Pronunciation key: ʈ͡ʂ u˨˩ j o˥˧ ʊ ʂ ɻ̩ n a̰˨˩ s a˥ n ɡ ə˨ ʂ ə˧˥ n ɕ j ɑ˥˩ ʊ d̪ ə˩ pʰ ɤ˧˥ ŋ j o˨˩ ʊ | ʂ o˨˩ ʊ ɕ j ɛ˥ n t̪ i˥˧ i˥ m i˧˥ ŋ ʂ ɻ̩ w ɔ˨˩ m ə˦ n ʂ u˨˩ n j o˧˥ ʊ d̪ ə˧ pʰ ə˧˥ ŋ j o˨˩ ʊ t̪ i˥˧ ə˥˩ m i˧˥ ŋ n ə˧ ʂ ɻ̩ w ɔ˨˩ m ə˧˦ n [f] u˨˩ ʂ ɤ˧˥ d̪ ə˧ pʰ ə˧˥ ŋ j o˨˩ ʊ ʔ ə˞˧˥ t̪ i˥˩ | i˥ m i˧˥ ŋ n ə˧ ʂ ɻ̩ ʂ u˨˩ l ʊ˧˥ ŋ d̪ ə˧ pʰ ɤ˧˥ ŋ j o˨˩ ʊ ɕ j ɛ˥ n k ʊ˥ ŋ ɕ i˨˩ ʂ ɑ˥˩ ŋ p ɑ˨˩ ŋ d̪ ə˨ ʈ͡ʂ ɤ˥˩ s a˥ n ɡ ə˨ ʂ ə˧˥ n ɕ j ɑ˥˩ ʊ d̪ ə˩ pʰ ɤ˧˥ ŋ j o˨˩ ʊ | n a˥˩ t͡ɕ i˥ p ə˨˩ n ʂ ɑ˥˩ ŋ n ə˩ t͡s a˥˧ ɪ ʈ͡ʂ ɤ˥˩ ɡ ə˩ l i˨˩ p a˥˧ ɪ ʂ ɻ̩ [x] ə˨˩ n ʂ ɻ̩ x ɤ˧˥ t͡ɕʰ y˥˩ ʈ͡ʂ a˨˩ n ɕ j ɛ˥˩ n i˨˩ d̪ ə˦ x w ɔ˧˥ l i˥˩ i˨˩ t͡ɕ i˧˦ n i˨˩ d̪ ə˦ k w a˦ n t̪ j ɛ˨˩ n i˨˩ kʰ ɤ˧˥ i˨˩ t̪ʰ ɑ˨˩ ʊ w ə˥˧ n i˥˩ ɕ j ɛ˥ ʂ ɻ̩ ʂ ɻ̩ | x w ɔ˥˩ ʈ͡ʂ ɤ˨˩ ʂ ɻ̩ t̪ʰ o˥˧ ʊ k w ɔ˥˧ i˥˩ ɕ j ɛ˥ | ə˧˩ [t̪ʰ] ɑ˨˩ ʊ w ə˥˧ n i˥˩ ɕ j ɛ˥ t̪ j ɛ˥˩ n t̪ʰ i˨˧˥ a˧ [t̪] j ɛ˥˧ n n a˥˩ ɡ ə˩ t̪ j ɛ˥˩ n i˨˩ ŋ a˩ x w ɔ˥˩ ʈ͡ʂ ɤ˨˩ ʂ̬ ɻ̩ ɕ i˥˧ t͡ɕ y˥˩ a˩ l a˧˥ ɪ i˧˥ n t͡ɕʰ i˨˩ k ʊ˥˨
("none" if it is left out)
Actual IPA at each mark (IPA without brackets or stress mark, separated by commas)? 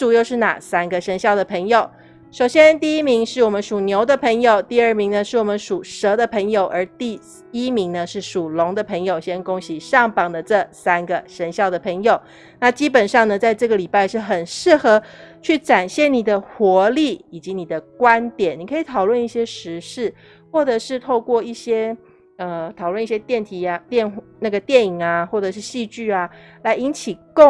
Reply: ʂ, x, t̪ʰ, t̪